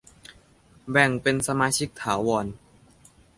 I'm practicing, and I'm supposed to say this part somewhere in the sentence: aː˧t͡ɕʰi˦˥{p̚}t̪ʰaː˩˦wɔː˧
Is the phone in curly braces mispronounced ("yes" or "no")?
yes